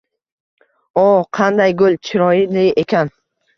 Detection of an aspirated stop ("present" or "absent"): present